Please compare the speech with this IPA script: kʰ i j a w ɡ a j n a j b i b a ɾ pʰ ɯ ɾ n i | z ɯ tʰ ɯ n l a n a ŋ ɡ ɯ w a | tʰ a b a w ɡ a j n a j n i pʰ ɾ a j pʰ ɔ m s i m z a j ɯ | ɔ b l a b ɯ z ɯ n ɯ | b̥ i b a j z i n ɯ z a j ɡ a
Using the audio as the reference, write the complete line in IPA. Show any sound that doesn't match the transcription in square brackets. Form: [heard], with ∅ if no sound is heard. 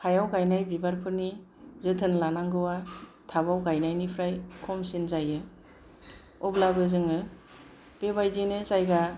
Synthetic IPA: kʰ [a] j a w ɡ a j n a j b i b a ɾ pʰ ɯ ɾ n i | z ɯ tʰ ɯ n l a n a ŋ ɡ ɯ w a | tʰ a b a w ɡ a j n a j n i pʰ ɾ a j [kʰ] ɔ m s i [n] z a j ɯ | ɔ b l a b ɯ z ɯ [ŋ] ɯ | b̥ [e] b a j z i n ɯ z a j ɡ a